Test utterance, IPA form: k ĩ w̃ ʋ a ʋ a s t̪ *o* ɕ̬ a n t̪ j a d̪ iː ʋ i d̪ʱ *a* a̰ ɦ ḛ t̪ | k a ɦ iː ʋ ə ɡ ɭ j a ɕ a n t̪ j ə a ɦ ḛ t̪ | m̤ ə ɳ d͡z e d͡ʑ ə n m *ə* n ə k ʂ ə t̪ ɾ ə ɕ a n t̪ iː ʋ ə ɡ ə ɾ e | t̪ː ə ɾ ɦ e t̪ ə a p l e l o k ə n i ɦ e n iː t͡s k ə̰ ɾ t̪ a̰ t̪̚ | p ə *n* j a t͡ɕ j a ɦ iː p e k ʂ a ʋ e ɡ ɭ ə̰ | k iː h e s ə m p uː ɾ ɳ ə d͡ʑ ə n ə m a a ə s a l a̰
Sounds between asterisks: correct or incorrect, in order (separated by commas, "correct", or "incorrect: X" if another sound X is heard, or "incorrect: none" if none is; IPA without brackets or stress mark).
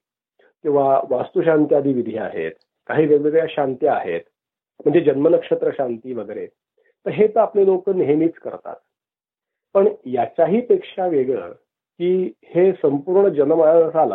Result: incorrect: u, incorrect: i, correct, incorrect: ɳ